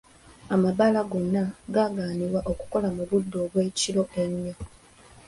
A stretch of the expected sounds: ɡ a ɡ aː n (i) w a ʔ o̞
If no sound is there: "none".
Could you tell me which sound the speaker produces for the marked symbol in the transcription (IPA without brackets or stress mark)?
i